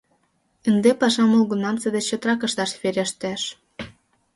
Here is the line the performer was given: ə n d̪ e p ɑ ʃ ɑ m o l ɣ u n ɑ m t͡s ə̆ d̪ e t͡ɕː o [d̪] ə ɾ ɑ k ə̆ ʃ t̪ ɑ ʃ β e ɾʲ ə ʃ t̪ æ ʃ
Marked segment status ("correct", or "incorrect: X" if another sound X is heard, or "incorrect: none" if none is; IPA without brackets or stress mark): incorrect: t̪